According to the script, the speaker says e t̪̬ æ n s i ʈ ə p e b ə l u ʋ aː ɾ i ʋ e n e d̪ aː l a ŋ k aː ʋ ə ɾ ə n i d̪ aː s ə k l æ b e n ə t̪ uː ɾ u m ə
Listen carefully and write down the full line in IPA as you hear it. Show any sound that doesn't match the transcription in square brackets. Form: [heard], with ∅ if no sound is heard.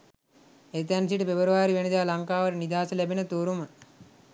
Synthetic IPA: e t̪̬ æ n s i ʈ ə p e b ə [ɾ] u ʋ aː ɾ i ʋ e n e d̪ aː l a ŋ k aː ʋ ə ɾ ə n i d̪ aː s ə [∅] l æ b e n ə t̪ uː ɾ u m ə